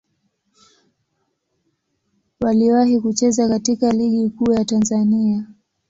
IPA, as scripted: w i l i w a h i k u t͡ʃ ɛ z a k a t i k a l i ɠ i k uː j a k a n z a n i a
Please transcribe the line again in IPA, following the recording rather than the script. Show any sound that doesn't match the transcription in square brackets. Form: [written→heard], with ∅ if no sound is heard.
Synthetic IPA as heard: w [i→a] l i w a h i k u t͡ʃ ɛ z a k a t i k a l i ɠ i k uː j a [k→t] a n z a n i a